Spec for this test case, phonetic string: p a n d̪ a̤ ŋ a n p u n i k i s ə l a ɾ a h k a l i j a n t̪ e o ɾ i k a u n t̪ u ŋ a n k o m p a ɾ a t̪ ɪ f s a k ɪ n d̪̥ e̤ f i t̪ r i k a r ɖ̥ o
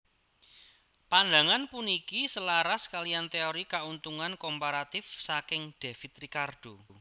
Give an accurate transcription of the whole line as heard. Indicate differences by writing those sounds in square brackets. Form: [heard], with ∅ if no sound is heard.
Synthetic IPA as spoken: p a n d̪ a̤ ŋ a n p u n i k i s ə l a ɾ a [s] k a l i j a n t̪ e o ɾ i k a u n t̪ u ŋ a n k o m p a ɾ a t̪ ɪ f s a k ɪ [ŋ] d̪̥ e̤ f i t̪ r i k a r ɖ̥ o